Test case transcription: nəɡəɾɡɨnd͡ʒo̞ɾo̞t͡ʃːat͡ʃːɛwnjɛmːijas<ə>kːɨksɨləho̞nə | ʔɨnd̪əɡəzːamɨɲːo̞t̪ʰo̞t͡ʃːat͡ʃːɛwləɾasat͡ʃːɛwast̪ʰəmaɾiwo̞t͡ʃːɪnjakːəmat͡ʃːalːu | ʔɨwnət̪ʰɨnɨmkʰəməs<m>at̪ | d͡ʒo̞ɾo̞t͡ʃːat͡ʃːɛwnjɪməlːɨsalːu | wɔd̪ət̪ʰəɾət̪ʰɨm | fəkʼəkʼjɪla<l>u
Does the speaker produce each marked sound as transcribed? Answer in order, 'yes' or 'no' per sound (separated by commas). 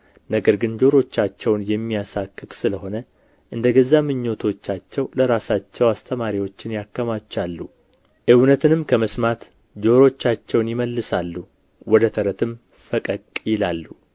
no, yes, no